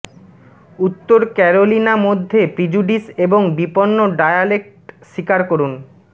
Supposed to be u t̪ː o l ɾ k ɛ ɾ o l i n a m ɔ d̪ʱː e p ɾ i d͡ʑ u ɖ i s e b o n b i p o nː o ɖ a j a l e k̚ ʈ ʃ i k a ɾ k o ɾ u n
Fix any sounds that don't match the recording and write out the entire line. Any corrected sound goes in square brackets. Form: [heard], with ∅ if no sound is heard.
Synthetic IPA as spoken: u t̪ː o [∅] ɾ k ɛ ɾ o l i n a m [o] d̪ʱː e p ɾ i d͡ʑ u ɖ i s e b o [ŋ] b i p o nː o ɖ a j a l e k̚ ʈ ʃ i k a ɾ k o ɾ u n